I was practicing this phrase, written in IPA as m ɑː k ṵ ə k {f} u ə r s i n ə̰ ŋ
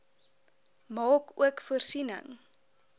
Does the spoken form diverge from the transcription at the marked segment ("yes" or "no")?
no